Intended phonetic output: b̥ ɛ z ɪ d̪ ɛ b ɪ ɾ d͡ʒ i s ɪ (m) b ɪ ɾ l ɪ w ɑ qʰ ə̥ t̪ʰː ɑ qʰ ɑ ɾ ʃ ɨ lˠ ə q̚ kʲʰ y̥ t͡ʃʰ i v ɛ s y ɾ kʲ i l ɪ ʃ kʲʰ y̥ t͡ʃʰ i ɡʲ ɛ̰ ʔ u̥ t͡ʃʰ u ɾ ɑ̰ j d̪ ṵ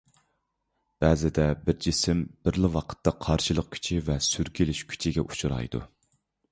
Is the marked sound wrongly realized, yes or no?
no